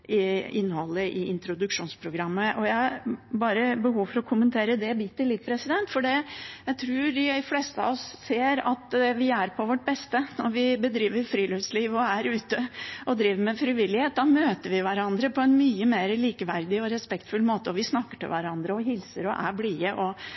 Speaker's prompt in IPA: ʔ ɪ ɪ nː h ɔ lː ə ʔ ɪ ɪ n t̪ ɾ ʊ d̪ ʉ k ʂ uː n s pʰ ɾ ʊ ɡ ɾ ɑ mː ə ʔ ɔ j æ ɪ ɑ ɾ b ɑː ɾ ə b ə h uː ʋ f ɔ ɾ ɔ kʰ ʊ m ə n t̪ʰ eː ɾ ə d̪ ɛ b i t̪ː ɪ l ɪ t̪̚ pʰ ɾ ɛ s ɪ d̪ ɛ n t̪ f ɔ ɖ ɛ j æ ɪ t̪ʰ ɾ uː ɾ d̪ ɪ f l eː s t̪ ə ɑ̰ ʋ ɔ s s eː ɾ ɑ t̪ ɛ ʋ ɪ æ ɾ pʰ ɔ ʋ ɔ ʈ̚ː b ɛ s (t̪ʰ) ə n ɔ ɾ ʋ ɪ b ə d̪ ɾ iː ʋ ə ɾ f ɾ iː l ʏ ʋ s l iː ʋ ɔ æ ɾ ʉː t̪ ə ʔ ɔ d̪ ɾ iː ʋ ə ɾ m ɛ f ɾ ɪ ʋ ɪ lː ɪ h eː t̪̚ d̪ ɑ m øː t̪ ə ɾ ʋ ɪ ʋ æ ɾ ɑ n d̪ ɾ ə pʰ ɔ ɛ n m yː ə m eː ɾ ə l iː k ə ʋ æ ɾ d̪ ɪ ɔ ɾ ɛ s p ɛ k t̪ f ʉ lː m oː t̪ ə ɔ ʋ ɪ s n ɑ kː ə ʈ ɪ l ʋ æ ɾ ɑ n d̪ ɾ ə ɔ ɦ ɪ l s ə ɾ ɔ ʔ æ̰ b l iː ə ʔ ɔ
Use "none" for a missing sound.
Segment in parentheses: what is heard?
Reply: t̪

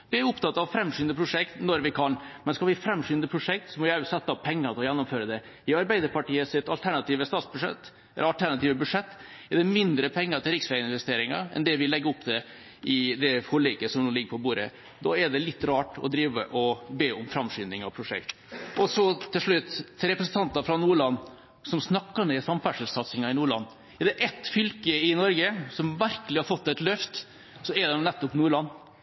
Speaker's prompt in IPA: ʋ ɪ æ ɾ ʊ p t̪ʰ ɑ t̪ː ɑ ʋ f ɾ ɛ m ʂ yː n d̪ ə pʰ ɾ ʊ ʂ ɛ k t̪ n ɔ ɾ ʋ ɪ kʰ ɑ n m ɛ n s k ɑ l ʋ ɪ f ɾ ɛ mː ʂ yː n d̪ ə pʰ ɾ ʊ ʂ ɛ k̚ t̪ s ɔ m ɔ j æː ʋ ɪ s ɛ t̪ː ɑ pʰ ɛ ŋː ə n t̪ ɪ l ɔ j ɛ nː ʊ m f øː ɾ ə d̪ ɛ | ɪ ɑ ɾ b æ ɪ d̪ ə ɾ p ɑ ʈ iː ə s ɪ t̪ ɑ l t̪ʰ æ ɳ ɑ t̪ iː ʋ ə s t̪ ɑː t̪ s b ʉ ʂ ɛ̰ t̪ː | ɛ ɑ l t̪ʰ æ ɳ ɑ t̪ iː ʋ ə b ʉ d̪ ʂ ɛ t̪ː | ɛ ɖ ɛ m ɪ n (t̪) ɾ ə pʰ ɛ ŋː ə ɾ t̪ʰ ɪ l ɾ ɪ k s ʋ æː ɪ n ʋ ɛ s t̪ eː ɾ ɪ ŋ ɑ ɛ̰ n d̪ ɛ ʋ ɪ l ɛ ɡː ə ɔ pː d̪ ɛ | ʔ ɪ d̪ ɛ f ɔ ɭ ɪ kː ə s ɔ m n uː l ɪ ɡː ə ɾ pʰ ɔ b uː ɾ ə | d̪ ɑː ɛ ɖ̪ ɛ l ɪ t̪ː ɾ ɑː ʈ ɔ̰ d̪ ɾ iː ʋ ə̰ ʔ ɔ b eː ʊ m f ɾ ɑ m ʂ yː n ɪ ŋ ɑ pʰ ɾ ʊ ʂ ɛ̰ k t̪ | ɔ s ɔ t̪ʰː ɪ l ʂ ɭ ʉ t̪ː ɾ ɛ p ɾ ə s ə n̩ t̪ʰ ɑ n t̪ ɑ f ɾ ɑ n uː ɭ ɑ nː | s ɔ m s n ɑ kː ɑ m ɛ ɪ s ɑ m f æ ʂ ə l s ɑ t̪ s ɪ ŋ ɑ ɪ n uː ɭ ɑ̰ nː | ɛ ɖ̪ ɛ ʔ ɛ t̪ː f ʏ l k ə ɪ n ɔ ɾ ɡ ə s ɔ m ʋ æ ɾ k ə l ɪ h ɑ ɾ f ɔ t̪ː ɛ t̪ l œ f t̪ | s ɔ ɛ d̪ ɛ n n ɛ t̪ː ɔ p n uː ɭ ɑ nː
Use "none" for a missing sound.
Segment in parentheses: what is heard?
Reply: d̪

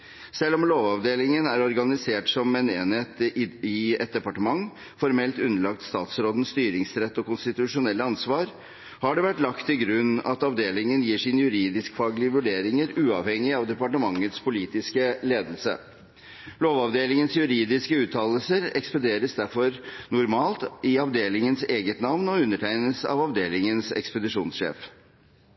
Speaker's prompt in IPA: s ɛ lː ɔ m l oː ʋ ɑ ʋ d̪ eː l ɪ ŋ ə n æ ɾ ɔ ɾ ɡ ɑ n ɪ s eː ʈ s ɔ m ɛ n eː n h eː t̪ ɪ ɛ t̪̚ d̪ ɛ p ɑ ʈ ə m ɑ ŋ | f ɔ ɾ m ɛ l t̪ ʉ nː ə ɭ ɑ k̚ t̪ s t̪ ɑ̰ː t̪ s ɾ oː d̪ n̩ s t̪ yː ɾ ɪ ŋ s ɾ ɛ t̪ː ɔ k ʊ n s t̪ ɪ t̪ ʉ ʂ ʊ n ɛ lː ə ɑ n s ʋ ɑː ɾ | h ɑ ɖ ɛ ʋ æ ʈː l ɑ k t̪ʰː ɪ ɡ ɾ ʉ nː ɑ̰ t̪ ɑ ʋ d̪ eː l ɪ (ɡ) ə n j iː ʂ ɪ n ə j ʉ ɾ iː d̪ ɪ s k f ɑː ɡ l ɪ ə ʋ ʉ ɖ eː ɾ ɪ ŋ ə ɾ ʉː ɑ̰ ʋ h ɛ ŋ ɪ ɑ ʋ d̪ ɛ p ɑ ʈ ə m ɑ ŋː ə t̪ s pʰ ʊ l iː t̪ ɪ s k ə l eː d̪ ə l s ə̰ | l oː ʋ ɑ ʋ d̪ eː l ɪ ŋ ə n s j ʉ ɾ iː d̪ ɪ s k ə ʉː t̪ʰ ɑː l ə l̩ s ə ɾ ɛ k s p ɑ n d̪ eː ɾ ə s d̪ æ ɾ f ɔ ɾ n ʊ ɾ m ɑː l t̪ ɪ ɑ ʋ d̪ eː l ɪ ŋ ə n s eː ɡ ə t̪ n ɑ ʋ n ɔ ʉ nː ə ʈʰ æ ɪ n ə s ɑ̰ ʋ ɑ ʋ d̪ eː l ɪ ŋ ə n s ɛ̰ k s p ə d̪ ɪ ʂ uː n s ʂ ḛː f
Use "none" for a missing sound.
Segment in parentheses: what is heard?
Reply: ŋ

